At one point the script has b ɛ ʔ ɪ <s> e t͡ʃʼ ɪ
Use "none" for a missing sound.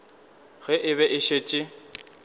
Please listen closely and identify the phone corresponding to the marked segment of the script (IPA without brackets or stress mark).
ʃ